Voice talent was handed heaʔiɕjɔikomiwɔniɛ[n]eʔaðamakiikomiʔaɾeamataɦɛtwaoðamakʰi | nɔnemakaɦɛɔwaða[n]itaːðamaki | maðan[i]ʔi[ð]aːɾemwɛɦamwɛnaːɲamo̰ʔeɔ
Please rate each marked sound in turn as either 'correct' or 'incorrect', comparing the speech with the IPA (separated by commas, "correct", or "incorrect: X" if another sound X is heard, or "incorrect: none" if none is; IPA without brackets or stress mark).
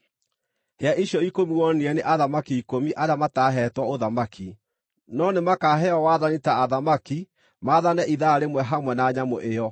correct, correct, incorrect: ɛ, correct